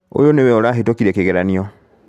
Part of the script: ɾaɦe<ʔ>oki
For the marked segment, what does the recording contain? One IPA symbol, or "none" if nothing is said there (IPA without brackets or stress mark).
t